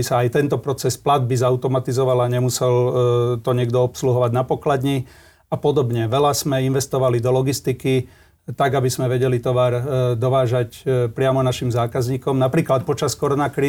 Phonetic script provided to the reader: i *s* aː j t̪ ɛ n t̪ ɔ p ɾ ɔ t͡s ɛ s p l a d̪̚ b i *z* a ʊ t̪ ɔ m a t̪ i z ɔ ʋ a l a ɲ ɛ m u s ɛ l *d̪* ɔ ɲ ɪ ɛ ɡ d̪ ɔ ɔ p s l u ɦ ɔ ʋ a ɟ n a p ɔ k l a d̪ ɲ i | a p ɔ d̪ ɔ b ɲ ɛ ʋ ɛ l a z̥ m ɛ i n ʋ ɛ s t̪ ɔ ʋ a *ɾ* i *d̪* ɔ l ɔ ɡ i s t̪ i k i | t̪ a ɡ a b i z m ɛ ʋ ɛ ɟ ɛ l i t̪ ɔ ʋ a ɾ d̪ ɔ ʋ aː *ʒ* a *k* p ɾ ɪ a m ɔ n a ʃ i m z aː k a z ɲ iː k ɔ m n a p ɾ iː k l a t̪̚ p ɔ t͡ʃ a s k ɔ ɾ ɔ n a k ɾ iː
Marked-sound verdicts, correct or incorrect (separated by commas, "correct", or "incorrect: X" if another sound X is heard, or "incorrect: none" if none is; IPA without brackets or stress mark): correct, correct, incorrect: t̪, incorrect: l, correct, correct, incorrect: c